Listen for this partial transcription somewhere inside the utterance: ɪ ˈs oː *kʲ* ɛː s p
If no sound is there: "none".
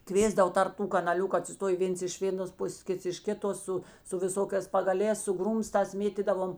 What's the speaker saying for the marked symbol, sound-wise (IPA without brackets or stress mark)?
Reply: kʲ